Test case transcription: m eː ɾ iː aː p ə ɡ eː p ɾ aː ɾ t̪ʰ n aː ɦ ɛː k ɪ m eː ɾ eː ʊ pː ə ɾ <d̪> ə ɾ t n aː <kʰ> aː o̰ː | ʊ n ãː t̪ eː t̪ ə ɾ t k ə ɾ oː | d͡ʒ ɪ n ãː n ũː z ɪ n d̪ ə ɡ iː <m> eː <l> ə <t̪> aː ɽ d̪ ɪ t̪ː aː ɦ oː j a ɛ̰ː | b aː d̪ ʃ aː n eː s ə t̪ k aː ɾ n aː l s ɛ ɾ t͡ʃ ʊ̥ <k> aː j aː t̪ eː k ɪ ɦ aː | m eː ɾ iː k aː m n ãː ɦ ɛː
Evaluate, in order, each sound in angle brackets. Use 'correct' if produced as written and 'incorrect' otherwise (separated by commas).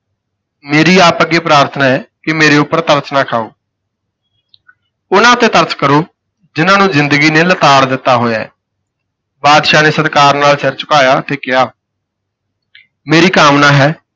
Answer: incorrect, correct, incorrect, correct, correct, correct